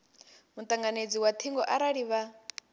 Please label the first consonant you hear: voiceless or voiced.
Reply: voiced